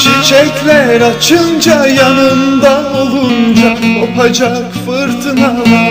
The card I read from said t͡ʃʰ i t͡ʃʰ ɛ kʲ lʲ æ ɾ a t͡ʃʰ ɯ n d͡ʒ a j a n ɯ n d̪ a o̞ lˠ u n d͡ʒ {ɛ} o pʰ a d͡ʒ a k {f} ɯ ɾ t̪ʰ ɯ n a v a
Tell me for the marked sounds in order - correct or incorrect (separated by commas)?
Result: incorrect, correct